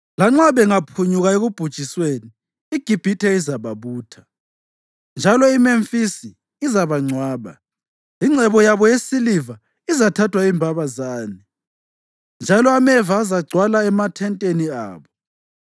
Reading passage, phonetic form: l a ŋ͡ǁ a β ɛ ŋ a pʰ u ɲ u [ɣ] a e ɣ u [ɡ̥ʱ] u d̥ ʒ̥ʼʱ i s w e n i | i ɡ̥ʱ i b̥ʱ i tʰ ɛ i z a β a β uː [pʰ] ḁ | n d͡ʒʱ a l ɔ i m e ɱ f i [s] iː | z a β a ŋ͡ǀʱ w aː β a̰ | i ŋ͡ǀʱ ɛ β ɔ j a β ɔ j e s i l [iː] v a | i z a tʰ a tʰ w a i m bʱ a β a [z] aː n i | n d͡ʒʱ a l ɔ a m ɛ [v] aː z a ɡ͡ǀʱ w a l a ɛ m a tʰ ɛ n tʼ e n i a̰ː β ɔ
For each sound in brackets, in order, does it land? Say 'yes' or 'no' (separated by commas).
yes, no, no, yes, no, yes, yes